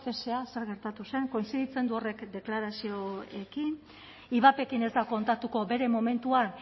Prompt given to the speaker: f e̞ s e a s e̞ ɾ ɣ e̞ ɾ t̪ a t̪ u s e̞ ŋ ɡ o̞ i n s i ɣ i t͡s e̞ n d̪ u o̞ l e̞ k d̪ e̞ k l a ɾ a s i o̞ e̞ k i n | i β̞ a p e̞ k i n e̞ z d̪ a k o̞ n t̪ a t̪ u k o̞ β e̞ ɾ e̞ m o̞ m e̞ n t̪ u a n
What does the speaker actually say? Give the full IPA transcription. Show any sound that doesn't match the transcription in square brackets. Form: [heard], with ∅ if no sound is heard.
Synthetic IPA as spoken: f e̞ s e a s e̞ ɾ ɣ e̞ ɾ t̪ a t̪ u s e̞ ŋ [k] o̞ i n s i [ð] i t͡s e̞ n d̪ u o̞ [r] e̞ k d̪ e̞ k l a ɾ a s i o̞ e̞ k i n | i β̞ a p e̞ k i n e̞ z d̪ a k o̞ n t̪ a t̪ u k o̞ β e̞ ɾ e̞ m o̞ m e̞ n t̪ u a n